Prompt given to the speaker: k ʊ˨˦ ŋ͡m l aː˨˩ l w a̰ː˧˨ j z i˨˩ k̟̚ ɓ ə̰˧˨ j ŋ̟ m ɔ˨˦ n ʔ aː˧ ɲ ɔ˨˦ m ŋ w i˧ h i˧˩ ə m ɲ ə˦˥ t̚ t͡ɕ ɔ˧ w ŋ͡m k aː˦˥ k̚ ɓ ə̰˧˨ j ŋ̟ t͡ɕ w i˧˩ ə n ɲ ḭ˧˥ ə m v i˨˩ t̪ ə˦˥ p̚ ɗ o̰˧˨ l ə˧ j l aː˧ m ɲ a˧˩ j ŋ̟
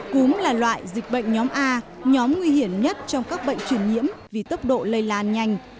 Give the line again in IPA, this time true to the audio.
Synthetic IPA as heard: k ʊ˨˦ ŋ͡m l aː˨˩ l w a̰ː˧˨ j z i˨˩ k̟̚ ɓ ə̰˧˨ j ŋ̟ ɲ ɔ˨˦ m ʔ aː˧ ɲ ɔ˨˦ m ŋ w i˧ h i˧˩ ə m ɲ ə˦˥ t̚ t͡ɕ ɔ˧ w ŋ͡m k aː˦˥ k̚ ɓ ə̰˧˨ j ŋ̟ t͡ɕ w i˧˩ ə n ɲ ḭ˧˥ ə m v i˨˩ t̪ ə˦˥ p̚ ɗ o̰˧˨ l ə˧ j l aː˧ n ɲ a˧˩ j ŋ̟

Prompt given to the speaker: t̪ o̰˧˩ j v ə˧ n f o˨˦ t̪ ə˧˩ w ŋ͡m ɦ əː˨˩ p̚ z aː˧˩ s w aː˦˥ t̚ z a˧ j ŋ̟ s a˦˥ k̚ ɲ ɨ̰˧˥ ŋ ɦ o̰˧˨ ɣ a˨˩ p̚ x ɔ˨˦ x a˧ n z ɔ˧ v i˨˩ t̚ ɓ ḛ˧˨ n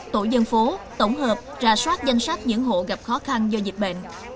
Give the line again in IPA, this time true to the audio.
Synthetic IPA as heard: t̪ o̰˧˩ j z ə˧ n f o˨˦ t̪ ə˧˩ w ŋ͡m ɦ əː˨˩ p̚ z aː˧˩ s w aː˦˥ t̚ z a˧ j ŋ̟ s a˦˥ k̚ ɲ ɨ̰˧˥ ŋ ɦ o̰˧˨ ɣ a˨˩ p̚ x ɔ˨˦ x a˧ n z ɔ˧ z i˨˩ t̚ ɓ ḛ˧˨ n

